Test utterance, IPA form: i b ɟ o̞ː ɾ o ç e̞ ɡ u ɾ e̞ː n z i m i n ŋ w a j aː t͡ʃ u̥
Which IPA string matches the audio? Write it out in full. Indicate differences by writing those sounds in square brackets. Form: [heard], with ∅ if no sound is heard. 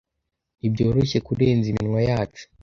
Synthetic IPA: i b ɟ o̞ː ɾ o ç e̞ [k] u ɾ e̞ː n z i m i n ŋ w a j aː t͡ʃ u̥